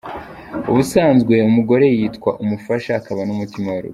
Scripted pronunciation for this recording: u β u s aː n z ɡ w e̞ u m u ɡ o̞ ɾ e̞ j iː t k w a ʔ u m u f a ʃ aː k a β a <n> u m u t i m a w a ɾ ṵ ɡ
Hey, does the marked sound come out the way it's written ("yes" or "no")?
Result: yes